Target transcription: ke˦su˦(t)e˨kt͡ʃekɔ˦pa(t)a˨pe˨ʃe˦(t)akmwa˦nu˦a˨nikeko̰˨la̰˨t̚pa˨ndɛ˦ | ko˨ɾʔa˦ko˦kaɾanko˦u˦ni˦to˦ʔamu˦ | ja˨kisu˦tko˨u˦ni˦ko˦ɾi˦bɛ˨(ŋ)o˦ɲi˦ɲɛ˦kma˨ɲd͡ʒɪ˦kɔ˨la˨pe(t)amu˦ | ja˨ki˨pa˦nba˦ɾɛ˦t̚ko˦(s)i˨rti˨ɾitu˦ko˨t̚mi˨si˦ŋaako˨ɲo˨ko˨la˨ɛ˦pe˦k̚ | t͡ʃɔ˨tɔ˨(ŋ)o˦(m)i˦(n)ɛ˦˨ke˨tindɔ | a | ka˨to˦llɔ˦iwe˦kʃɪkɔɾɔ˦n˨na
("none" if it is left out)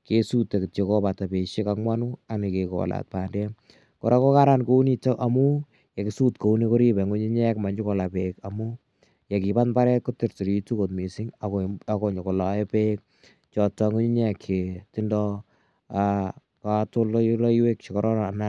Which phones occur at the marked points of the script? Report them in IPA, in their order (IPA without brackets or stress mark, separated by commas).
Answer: t, t, k, ŋ, k, t, ŋ, ɲ, ɲ